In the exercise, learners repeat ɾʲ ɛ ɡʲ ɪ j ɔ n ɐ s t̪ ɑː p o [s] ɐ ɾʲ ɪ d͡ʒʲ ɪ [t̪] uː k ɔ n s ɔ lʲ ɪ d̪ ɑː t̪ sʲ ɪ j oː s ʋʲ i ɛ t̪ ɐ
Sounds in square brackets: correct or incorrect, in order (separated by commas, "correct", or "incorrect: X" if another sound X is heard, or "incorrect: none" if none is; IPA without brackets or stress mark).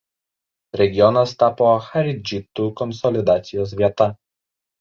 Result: incorrect: x, correct